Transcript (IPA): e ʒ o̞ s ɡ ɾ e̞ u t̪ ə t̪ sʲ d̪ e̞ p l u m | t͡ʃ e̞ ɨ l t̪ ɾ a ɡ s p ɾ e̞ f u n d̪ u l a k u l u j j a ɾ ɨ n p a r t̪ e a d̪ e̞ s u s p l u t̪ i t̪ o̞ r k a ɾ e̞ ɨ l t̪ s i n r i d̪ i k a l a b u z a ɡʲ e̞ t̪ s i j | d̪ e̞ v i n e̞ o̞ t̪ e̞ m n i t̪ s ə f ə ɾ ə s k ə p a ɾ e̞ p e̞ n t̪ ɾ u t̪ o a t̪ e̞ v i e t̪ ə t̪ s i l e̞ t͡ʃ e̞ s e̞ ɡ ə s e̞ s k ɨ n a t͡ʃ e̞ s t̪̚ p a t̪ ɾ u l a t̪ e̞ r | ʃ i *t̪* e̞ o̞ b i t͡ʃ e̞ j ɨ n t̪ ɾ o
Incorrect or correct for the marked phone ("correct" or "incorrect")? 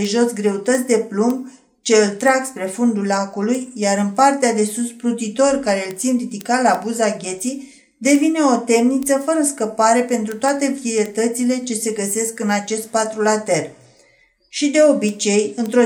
incorrect